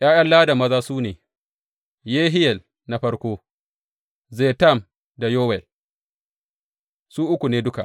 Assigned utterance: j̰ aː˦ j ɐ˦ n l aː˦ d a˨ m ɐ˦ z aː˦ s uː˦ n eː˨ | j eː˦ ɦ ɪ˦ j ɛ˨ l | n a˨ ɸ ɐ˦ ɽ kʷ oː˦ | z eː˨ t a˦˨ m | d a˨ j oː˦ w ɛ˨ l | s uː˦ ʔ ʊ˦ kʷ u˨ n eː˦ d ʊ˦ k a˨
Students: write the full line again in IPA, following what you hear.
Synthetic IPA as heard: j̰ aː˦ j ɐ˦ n l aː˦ d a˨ m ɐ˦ z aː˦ s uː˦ n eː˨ | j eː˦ ɦ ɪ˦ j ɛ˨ l | n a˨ ɸ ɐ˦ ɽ kʷ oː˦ | z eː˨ t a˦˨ m | d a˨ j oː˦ w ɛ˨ l | s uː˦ ʔ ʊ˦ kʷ u˨ n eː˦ d ʊ˦ k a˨